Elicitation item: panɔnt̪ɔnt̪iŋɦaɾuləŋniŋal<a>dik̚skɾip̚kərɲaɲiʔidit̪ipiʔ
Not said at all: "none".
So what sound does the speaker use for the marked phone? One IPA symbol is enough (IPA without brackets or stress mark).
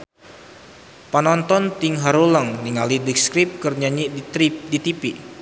i